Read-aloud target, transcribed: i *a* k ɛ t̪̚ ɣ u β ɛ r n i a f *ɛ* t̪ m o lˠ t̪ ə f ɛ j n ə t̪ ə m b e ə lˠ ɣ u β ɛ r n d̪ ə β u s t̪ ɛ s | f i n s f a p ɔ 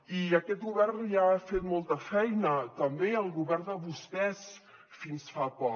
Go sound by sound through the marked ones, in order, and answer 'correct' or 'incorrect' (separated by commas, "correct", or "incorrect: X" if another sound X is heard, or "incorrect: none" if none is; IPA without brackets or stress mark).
incorrect: ə, incorrect: e